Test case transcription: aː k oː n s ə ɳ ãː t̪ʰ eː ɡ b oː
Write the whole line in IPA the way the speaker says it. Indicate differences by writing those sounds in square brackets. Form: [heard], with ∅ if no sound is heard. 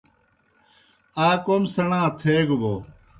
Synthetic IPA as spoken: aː k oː [m] s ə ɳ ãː t̪ʰ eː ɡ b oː